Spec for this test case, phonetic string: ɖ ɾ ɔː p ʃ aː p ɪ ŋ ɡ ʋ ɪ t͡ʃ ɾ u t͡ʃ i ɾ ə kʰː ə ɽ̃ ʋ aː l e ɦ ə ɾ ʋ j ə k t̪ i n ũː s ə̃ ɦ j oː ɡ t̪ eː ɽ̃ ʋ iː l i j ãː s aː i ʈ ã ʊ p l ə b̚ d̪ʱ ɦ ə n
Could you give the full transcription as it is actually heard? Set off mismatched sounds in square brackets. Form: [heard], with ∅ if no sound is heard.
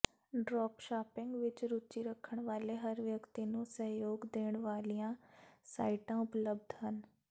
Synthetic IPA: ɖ ɾ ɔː p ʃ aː p ɪ ŋ ɡ ʋ ɪ t͡ʃ ɾ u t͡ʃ i ɾ ə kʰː ə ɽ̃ ʋ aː l e ɦ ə ɾ ʋ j ə k t̪ i n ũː s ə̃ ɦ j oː ɡ [d̪] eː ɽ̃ ʋ [aː] l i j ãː s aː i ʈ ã ʊ p l ə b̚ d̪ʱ ɦ ə n

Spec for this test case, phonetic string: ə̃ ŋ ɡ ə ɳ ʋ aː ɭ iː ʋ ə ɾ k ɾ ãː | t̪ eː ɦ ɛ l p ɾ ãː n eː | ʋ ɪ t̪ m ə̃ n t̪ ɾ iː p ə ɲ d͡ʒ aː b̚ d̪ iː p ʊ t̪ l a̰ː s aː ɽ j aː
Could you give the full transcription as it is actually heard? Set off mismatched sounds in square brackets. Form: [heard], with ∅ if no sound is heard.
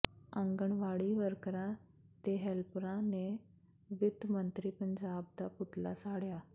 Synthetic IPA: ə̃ ŋ ɡ ə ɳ ʋ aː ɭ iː ʋ ə ɾ k ɾ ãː | t̪ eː ɦ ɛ l p ɾ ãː n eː | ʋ ɪ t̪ m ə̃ n t̪ ɾ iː p ə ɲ d͡ʒ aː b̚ d̪ [aː] p ʊ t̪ l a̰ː s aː ɽ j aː

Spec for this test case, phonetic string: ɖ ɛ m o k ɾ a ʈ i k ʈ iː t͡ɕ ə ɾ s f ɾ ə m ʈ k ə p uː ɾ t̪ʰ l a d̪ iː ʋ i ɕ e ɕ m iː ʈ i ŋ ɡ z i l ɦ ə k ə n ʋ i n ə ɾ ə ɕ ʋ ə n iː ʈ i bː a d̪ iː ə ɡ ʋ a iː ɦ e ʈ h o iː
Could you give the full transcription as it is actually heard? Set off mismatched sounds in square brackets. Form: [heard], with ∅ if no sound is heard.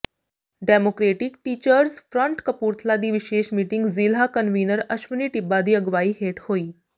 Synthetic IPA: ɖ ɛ m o k ɾ [e] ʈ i k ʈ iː t͡ɕ ə ɾ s f ɾ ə [ɳ] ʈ k ə p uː ɾ t̪ʰ l a d̪ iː ʋ i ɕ e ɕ m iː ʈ i ŋ ɡ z i l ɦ [a] k ə n ʋ i n ə ɾ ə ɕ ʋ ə n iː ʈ i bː a d̪ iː ə ɡ ʋ a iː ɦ e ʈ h o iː

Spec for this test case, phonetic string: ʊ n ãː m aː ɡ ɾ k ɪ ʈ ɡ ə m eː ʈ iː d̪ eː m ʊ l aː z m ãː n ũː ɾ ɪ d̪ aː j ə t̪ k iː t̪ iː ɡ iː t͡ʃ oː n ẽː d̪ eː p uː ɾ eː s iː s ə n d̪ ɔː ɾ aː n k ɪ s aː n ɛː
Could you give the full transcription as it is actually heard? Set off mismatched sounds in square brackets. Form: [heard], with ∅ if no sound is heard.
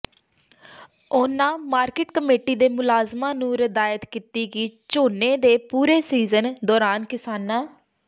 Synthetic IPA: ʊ n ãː m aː [∅] ɾ k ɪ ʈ [k] ə m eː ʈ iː d̪ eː m ʊ l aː z m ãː n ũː ɾ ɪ d̪ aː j ə t̪ k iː t̪ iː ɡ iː t͡ʃ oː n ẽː d̪ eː p uː ɾ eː s iː [z] ə n d̪ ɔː ɾ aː n k ɪ s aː n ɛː

